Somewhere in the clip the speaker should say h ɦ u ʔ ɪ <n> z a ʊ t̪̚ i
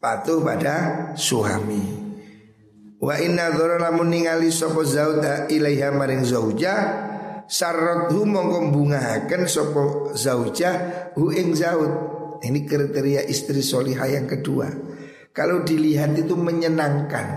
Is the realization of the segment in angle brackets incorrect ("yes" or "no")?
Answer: yes